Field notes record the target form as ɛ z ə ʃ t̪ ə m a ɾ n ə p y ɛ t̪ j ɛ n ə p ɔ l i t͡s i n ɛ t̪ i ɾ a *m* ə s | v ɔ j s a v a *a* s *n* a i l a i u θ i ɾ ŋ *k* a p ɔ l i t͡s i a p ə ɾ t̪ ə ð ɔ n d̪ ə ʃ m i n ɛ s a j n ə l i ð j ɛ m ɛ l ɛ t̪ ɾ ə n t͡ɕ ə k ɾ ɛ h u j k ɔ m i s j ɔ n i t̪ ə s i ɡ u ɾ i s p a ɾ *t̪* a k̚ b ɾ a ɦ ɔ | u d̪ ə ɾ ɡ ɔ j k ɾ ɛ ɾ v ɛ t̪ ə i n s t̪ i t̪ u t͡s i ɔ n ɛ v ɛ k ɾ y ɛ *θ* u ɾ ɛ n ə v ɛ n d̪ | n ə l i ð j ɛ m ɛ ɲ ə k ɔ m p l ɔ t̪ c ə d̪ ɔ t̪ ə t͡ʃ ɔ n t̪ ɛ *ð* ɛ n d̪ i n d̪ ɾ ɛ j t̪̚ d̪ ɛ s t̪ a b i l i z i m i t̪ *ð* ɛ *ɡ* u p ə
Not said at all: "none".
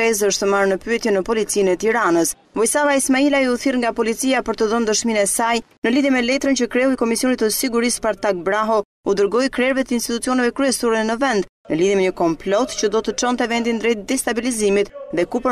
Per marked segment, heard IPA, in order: n, i, m, ɡ, t̪, s, v, ð, k

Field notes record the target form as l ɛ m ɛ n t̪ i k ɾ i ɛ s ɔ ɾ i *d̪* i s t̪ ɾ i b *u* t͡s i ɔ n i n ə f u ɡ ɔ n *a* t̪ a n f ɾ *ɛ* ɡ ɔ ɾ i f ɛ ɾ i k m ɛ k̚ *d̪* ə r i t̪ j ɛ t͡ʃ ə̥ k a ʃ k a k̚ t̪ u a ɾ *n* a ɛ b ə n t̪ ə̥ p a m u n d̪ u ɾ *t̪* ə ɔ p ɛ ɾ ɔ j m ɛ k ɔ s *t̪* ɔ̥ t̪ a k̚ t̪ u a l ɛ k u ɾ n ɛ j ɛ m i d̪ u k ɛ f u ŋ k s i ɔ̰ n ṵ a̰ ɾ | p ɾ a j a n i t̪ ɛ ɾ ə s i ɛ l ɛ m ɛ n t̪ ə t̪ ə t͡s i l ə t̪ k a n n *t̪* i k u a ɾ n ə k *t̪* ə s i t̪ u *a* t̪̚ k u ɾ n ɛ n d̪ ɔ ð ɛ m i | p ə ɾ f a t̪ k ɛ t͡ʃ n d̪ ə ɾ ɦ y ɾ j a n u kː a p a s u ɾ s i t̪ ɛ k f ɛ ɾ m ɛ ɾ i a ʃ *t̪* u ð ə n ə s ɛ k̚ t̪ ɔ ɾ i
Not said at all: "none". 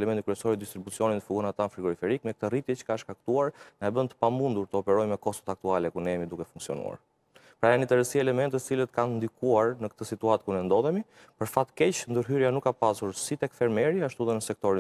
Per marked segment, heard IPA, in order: d̪, u, a, i, t̪, n, t̪, t̪, d̪, t̪, a, t̪

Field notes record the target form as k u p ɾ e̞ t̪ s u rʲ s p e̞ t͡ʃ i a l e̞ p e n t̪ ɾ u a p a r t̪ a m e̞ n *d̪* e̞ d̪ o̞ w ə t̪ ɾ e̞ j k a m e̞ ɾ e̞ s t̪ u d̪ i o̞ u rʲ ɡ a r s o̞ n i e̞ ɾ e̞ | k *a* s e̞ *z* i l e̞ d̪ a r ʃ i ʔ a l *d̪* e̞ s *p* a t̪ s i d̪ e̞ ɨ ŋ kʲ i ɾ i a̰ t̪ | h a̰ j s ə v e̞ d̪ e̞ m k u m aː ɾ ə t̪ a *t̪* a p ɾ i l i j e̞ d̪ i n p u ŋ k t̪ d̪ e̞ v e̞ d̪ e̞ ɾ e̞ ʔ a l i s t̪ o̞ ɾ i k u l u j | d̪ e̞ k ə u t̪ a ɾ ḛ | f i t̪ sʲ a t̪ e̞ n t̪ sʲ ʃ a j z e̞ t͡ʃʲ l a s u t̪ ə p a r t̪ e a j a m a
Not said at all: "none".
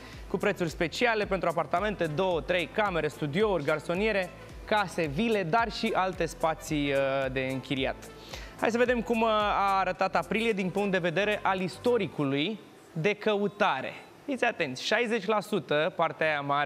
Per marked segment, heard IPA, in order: t̪, a, v, t̪, p, t̪

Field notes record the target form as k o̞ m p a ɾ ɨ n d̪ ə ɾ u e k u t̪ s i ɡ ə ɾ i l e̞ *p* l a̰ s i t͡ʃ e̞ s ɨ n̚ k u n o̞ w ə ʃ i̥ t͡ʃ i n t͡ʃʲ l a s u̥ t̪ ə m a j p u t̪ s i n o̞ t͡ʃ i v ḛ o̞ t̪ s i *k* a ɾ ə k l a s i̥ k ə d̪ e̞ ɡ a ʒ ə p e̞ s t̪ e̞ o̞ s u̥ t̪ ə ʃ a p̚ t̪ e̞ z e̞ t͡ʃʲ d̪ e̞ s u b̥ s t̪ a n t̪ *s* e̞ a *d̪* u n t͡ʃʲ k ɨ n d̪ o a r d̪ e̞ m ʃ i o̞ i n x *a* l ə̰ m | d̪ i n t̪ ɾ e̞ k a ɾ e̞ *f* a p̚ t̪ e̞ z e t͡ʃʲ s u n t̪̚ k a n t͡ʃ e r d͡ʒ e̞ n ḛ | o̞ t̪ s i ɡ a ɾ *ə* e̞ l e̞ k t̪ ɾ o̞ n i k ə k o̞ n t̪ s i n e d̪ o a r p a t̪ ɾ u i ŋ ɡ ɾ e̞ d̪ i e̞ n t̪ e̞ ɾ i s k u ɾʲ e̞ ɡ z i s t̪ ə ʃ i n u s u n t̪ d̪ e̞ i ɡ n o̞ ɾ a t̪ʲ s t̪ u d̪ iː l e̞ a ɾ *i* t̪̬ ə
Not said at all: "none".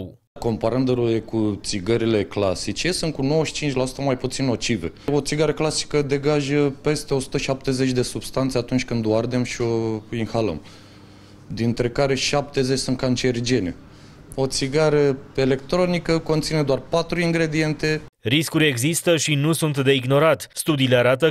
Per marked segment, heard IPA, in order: k, ɡ, s, t̪, a, ʃ, ə, a

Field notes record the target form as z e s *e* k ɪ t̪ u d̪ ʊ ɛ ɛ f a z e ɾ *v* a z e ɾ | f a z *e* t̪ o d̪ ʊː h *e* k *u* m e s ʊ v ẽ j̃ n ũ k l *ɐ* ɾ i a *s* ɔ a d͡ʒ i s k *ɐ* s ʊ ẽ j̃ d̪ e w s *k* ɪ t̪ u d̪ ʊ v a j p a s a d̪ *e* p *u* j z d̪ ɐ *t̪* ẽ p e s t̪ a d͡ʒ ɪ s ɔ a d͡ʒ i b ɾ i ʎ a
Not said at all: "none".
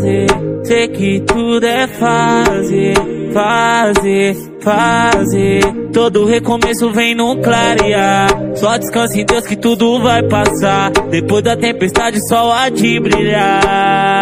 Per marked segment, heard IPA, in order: e, f, e, e, o, a, s, ɐ̃, k, e, o, t̪

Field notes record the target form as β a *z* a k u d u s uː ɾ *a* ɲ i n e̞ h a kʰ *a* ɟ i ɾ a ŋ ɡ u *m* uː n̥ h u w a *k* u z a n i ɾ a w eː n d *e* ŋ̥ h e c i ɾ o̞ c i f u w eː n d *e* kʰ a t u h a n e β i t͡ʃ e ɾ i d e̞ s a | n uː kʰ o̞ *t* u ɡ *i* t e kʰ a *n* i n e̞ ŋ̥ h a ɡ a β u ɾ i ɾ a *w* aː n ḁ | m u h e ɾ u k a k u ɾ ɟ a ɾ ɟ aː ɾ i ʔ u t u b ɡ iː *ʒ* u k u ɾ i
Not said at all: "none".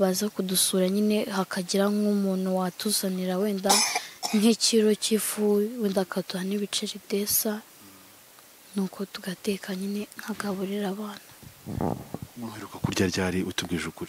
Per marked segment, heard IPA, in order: z, a, a, m, t, a, a, t, a, ɲ, β, ʒ

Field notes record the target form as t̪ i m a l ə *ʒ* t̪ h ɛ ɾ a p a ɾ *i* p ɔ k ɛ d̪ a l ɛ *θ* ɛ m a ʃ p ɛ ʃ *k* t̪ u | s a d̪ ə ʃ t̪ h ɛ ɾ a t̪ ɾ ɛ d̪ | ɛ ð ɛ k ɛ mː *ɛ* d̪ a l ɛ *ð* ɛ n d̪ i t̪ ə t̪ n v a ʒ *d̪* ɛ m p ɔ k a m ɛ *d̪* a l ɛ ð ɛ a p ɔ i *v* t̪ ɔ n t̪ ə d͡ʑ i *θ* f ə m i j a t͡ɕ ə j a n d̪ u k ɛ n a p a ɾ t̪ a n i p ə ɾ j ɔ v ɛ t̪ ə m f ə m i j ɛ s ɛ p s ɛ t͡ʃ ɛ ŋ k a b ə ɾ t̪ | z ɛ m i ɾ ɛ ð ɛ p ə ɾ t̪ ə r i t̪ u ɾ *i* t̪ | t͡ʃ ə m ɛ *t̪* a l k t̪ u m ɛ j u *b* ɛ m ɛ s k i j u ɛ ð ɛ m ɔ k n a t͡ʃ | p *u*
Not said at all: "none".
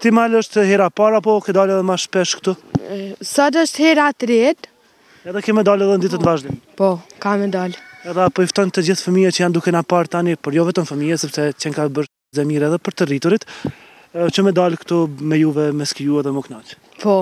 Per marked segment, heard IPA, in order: ʃ, a, ð, k, ɛ, ð, d̪, d̪, f, θ, i, d̪, v, ɔ

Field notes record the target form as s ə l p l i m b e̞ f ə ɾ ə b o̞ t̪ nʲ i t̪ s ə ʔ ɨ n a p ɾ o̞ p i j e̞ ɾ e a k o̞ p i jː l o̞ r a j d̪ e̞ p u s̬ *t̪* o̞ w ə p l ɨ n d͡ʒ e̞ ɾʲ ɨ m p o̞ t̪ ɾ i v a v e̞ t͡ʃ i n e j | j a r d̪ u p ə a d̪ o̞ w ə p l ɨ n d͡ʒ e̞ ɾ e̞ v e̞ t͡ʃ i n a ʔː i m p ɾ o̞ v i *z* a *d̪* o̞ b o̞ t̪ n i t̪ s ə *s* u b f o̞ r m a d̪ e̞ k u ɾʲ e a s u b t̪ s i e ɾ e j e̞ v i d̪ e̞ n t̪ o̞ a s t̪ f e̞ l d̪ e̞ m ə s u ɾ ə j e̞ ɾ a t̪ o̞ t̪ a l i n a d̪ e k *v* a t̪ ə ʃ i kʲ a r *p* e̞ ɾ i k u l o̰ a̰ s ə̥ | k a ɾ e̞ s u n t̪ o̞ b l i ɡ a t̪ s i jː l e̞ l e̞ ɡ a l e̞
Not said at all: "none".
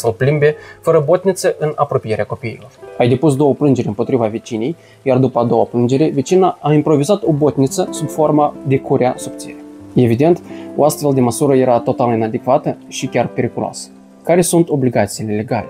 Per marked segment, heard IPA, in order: d̪, z, t̪, s, v, p

